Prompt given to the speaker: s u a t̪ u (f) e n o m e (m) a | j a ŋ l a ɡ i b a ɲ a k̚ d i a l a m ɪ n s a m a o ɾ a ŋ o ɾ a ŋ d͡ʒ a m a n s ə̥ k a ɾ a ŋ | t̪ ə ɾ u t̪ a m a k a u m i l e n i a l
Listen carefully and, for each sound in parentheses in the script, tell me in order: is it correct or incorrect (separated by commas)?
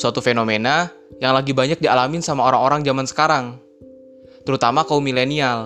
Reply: correct, incorrect